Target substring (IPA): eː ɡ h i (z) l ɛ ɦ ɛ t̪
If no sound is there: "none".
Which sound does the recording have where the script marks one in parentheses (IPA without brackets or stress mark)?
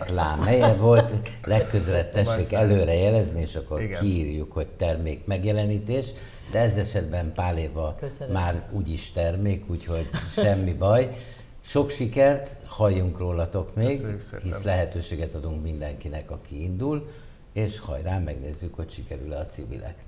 s